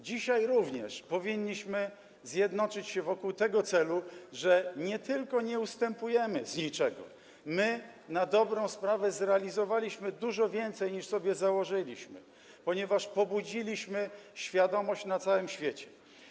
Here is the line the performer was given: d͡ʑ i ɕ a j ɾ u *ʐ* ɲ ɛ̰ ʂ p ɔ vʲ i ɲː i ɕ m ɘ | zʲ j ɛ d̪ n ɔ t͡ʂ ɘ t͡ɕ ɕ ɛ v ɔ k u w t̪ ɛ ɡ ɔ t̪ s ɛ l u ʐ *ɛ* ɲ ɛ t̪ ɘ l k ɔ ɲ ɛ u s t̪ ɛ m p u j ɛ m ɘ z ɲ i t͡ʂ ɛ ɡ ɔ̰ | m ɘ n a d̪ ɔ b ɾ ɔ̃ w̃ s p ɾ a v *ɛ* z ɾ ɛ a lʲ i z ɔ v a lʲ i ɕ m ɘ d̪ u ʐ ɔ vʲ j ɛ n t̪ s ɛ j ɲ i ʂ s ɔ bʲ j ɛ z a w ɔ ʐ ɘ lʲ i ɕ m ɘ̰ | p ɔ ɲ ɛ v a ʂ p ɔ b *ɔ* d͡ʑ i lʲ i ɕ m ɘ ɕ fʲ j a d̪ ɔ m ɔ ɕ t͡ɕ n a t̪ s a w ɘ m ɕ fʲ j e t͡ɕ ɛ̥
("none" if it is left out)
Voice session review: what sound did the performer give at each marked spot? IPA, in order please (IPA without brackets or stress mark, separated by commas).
v, ɛ, ɛ, u